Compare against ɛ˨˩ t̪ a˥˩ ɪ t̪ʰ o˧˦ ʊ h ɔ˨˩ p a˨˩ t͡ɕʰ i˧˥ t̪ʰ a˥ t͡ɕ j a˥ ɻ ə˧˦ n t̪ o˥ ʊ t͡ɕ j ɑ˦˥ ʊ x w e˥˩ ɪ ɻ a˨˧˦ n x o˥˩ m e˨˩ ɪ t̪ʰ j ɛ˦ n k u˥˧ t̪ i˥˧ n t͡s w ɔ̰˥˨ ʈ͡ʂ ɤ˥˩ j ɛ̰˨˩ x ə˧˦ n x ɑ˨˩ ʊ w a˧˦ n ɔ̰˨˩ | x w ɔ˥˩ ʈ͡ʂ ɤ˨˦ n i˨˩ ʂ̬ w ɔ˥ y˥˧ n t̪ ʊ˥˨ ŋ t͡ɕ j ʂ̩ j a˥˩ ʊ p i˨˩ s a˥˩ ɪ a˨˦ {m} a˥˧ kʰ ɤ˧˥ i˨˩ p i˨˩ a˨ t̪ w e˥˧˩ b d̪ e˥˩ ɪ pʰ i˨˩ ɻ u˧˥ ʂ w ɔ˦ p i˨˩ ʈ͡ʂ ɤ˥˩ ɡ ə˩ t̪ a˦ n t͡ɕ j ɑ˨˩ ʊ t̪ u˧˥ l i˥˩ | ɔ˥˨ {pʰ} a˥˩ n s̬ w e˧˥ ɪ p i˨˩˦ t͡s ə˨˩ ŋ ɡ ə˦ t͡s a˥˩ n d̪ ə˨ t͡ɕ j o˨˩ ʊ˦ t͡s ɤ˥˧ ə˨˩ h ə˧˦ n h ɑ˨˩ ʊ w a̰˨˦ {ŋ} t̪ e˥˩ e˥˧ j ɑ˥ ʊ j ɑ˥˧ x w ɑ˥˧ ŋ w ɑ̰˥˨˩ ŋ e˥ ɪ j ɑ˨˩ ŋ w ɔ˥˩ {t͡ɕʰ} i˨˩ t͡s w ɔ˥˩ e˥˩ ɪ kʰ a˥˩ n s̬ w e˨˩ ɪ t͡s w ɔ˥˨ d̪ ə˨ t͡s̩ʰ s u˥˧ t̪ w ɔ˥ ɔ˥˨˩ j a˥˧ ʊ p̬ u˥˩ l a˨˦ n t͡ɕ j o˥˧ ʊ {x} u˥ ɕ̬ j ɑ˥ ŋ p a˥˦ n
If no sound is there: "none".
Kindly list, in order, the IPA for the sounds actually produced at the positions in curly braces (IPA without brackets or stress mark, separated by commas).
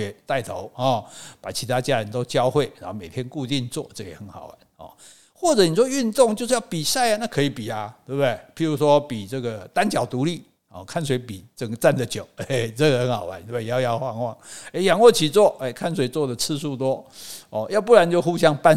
n, kʰ, n, t͡ɕʰ, x